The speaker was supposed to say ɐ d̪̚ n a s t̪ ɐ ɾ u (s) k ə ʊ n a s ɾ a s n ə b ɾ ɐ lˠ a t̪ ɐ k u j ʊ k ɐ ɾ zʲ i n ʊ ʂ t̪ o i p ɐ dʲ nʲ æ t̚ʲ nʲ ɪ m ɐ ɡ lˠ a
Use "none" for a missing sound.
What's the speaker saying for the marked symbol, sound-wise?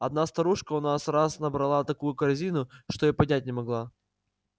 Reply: ʂ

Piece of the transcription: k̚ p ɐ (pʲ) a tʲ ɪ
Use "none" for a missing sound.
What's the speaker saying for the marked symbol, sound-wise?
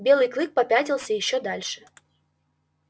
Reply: pʲ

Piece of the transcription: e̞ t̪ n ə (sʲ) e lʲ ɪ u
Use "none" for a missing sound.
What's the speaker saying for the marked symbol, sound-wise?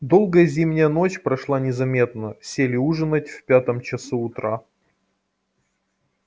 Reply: sʲ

